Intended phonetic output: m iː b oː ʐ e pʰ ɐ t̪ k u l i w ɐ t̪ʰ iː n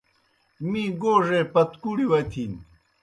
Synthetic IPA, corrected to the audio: m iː ɡ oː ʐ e p ɐ t̪ k u ɽ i w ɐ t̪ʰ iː n